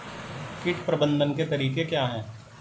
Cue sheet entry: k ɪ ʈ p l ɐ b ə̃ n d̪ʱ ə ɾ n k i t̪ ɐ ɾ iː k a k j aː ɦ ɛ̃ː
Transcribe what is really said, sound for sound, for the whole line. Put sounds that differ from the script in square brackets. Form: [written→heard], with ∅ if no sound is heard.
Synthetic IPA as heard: k ɪ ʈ p [l→ɾ] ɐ b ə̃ n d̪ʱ ə [ɾ→∅] n k [i→e] t̪ ɐ ɾ iː k [a→e] k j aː ɦ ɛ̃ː

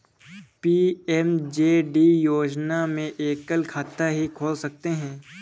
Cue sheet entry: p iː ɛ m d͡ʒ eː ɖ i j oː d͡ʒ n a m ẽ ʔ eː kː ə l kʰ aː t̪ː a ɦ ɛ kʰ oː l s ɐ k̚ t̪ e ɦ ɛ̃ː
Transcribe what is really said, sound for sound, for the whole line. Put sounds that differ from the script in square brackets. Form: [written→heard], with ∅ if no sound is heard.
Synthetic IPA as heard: p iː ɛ m d͡ʒ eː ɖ i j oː d͡ʒ n a m ẽ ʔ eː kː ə l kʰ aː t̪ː a ɦ [ɛ→i] kʰ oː l s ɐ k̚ t̪ e ɦ ɛ̃ː

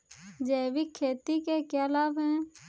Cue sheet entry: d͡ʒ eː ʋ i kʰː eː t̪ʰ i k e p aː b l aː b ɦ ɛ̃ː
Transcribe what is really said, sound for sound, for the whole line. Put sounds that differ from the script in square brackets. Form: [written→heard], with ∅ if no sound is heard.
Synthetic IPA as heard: d͡ʒ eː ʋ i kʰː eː [t̪ʰ→t̪] i k e [p→k] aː [b→∅] l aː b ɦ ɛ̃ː

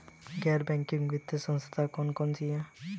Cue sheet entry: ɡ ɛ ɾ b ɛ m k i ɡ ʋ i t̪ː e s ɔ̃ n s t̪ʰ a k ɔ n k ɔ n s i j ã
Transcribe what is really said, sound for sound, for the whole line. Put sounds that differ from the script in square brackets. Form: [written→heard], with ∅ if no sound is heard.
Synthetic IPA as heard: ɡ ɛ ɾ b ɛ [m→ŋ] k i [ɡ→ŋ] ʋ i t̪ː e s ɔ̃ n s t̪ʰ a k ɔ n k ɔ n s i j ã

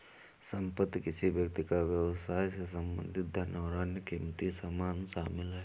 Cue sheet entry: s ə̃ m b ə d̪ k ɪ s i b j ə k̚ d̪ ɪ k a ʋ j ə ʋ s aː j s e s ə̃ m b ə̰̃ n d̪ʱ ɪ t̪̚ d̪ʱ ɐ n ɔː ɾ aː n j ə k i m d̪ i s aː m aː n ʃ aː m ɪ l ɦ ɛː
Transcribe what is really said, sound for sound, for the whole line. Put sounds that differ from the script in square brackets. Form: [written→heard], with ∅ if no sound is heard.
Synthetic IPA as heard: s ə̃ m [b→p] ə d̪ k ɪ s i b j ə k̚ [d̪→t̪] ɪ k a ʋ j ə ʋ s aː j s e s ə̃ m b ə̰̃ n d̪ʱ ɪ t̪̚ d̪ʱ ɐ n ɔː ɾ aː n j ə k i m [d̪→t̪] i s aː m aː n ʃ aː m ɪ l ɦ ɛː

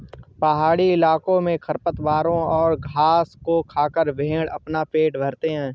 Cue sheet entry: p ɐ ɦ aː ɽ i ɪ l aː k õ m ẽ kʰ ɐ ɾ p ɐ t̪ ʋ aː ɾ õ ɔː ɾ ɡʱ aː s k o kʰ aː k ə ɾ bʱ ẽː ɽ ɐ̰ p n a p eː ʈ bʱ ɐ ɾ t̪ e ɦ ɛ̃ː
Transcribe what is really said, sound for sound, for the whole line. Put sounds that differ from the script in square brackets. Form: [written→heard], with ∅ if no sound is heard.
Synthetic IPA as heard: p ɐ ɦ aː ɽ i ɪ l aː k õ m ẽ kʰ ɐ ɾ p [ɐ→ə] t̪ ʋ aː ɾ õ ɔː ɾ ɡʱ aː s k o kʰ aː k ə ɾ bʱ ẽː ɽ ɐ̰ p n a p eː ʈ bʱ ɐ ɾ t̪ e ɦ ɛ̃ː

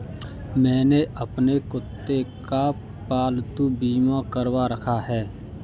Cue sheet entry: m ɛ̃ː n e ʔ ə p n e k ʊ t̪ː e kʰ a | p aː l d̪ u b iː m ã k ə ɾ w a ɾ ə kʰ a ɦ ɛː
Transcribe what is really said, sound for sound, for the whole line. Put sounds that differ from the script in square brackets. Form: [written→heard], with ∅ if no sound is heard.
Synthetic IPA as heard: m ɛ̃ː n e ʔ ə p n e k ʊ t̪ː e [kʰ→k] a | p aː l [d̪→t̪] u b iː m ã k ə ɾ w a ɾ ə kʰ a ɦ ɛː

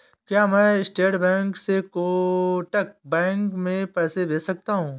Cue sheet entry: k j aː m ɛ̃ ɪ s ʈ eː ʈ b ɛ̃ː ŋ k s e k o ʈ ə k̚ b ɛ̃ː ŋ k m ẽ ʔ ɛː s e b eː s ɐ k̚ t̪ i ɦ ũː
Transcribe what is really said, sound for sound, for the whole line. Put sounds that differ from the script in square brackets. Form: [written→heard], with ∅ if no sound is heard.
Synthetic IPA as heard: k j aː m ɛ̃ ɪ s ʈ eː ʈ b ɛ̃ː ŋ k s e k o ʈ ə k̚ b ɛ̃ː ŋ k m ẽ [ʔ→p] ɛː s e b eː s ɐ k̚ t̪ [i→a] ɦ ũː

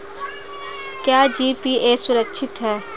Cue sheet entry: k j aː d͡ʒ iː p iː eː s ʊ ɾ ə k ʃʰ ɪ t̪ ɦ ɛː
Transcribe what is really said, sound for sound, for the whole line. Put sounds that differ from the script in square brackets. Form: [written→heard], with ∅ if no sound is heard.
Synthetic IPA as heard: k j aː d͡ʒ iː p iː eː s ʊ ɾ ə k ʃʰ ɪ t̪ ɦ ɛː

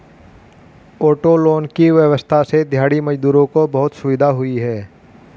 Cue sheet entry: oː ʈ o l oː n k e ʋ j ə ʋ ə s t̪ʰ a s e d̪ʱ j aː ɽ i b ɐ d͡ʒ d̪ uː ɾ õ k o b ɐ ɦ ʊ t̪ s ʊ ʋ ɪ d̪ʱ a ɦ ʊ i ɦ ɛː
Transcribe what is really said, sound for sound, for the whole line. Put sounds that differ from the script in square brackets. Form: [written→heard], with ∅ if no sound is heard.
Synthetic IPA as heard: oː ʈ o l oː n k [e→i] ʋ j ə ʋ ə s t̪ʰ a s e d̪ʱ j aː ɽ i [b→m] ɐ d͡ʒ d̪ uː ɾ õ k o b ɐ ɦ ʊ t̪ s ʊ ʋ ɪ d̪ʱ a ɦ ʊ i ɦ ɛː

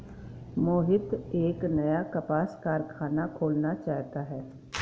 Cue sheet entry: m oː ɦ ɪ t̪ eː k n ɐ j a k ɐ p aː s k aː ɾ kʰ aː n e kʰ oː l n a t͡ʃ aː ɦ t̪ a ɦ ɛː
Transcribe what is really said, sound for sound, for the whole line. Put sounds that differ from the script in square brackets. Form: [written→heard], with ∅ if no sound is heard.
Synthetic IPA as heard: m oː ɦ ɪ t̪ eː k n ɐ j a k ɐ p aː s k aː ɾ kʰ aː n [e→a] kʰ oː l n a t͡ʃ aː ɦ t̪ a ɦ ɛː

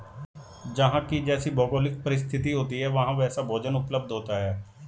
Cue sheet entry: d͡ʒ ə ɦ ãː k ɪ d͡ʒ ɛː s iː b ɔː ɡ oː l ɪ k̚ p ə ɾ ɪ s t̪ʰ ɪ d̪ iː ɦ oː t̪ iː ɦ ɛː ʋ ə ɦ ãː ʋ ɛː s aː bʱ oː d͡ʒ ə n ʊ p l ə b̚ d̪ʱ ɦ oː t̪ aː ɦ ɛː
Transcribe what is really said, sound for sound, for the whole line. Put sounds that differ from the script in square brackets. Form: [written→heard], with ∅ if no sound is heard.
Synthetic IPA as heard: d͡ʒ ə ɦ ãː k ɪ d͡ʒ ɛː s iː b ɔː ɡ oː l ɪ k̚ p ə ɾ ɪ s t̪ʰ ɪ [d̪→t̪] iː ɦ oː t̪ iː ɦ ɛː ʋ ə ɦ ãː ʋ ɛː s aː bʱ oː d͡ʒ ə n ʊ p l ə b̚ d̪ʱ ɦ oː t̪ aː ɦ ɛː

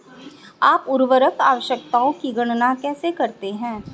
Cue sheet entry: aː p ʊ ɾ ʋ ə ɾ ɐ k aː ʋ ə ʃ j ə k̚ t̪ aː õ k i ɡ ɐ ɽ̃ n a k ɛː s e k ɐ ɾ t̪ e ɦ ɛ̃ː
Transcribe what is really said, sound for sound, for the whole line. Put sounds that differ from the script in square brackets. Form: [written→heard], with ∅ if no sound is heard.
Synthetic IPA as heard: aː p ʊ ɾ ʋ ə ɾ [ɐ→ə] k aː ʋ ə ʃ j ə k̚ t̪ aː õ k i ɡ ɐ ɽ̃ n a k ɛː s e k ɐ ɾ t̪ e ɦ ɛ̃ː

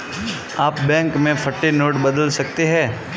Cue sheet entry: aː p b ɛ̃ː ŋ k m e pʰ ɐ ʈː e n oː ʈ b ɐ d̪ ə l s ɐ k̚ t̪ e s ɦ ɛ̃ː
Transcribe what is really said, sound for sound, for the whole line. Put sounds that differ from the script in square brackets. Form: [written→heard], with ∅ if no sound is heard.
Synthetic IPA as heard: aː p b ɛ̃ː ŋ k m [e→ẽ] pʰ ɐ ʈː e n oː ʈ b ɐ d̪ ə l s ɐ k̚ t̪ e [s→∅] ɦ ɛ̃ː

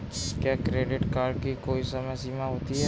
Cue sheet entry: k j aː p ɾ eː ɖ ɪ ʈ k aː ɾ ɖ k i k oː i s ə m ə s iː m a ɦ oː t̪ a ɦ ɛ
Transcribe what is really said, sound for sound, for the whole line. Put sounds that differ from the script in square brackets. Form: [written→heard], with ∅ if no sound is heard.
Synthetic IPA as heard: k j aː [p→k] ɾ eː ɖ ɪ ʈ k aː ɾ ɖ k i k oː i s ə m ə s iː m a ɦ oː t̪ [a→i] ɦ ɛ

